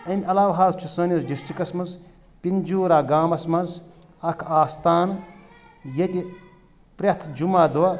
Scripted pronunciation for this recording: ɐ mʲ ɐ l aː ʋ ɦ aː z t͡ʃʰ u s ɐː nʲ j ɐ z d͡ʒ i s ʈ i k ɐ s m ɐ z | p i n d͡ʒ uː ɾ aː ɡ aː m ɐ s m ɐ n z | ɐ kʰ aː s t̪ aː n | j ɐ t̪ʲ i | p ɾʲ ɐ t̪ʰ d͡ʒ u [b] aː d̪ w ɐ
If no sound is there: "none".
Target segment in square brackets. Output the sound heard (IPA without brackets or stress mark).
m